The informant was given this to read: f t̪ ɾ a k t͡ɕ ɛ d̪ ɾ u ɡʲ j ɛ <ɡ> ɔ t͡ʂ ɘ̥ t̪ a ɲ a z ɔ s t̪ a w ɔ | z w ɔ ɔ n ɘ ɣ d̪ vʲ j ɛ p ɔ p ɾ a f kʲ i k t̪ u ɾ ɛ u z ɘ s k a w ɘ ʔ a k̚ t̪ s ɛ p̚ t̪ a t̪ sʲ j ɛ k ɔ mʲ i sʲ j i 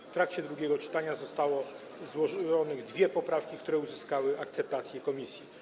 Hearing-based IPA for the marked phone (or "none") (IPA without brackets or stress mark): ɡ